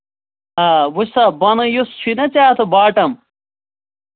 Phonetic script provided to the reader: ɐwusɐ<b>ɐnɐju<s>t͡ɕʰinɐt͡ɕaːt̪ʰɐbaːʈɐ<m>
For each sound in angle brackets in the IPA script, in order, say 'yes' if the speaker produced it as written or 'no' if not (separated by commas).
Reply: yes, yes, yes